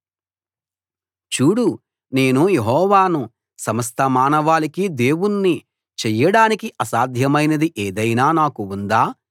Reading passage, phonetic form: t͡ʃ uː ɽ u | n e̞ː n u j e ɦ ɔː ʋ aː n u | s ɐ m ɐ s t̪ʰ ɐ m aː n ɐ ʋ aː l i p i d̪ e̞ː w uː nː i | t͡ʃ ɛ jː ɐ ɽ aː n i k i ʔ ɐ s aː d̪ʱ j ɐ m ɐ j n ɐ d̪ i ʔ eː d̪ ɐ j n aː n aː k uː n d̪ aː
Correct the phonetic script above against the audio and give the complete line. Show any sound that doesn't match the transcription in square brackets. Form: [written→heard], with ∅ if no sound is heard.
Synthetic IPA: t͡ʃ uː ɽ u | n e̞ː n u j e ɦ ɔː ʋ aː n u | s ɐ m ɐ s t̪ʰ ɐ m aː n ɐ ʋ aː l i [p→k] i d̪ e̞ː w [uː→u] nː i | t͡ʃ ɛ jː ɐ ɽ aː n i k i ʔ ɐ s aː d̪ʱ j ɐ m ɐ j n ɐ d̪ i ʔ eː d̪ ɐ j n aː n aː k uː n d̪ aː